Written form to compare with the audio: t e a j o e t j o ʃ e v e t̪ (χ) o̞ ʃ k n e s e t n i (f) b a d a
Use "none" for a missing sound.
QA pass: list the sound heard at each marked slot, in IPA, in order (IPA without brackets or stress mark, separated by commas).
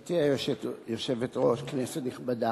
ʁ, χ